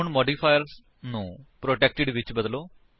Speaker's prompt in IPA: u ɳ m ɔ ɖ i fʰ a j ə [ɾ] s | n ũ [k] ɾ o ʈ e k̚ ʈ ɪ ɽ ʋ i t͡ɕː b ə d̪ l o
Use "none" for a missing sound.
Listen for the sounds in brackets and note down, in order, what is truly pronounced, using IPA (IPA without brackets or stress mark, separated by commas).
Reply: ɾ, p